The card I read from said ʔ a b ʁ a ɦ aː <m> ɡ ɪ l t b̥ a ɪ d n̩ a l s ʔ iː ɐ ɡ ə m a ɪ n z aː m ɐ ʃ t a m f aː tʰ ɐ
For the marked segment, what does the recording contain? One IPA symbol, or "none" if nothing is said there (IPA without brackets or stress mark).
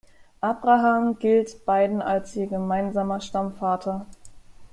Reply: m